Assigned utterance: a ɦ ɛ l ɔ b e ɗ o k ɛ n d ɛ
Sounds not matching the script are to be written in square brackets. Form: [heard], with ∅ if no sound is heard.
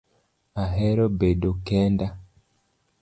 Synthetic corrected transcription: a ɦ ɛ [ɾ] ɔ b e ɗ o k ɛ n d [a]